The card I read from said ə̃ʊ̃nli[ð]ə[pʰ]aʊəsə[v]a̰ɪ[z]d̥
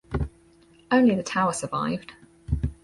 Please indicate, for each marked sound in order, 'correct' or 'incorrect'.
correct, incorrect, correct, incorrect

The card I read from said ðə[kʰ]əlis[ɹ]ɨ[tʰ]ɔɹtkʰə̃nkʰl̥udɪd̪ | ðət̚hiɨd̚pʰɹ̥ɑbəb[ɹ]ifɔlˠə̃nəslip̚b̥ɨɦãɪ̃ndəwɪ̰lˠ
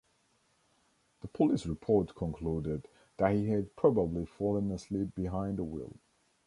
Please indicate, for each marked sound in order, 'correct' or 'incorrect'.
incorrect, correct, incorrect, incorrect

